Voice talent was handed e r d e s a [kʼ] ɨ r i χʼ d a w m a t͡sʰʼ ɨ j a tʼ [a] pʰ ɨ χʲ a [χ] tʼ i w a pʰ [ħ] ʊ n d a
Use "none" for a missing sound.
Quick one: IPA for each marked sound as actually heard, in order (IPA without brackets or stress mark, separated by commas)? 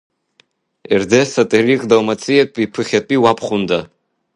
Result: tʼ, i, none, χ